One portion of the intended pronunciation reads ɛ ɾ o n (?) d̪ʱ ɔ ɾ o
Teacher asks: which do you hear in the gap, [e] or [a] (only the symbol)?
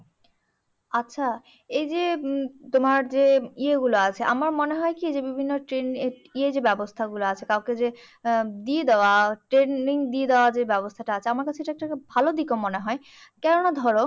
a